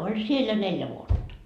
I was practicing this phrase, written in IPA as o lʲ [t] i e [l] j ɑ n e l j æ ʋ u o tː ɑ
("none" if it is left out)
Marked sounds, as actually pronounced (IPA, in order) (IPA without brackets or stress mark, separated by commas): s, l